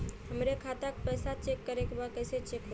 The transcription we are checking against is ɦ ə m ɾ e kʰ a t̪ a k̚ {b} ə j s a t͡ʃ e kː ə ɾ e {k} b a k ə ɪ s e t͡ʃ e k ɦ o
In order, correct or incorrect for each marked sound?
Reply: incorrect: p, correct

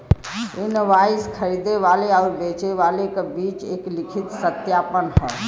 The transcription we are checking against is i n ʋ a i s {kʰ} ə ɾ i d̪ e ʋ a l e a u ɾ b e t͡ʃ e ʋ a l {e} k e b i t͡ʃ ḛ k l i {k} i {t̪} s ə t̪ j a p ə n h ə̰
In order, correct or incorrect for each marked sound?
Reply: correct, correct, incorrect: kʰ, correct

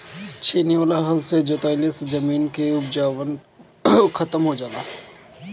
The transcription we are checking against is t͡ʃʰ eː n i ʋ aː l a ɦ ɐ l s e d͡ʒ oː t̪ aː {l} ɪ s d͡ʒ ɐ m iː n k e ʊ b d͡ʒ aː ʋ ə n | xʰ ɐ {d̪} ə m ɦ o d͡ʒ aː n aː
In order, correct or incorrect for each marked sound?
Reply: correct, incorrect: t̪

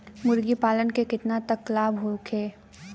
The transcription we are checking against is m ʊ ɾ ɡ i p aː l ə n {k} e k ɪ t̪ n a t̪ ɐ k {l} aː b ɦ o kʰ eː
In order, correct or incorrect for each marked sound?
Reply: correct, correct

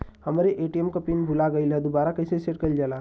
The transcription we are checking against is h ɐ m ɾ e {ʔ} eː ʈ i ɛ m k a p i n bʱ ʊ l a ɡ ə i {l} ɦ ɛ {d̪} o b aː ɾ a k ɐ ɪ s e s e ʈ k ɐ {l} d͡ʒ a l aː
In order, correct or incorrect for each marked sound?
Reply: correct, correct, correct, correct

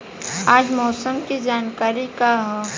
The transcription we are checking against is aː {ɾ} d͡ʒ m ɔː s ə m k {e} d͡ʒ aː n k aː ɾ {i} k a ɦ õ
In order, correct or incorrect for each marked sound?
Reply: incorrect: none, incorrect: i, correct

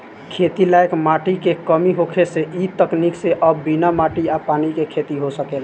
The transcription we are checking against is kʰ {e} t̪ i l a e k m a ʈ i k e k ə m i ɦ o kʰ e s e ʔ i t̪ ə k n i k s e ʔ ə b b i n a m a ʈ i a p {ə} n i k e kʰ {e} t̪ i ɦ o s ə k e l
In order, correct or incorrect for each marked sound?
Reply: correct, incorrect: a, correct

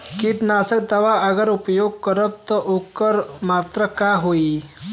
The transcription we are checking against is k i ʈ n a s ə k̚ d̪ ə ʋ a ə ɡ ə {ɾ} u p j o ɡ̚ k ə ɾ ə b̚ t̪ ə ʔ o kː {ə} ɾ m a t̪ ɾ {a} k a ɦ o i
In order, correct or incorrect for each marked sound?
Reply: correct, correct, incorrect: ə

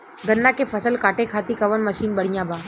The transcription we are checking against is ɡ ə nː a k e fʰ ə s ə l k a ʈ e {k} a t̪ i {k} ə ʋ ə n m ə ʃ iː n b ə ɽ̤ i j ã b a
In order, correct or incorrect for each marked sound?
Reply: incorrect: kʰ, correct

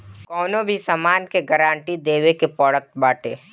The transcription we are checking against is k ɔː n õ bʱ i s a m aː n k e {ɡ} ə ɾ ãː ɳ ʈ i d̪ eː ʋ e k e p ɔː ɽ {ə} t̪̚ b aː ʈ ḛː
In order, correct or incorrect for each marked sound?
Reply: correct, correct

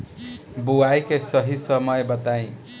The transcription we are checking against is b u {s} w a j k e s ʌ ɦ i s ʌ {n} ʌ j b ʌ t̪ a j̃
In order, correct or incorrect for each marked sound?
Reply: incorrect: none, incorrect: m

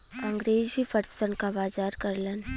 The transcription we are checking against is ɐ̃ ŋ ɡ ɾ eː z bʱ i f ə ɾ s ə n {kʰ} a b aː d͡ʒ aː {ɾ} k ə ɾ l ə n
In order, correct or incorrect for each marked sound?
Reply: incorrect: k, correct

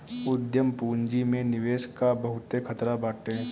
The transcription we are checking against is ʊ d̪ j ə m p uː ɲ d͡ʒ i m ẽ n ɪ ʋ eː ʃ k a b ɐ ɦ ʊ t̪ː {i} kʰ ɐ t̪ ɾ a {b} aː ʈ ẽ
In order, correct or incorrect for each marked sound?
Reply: incorrect: e, correct

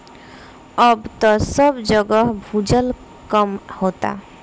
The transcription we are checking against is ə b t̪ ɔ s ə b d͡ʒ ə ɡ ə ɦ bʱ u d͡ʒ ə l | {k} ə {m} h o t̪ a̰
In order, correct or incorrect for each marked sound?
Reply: correct, correct

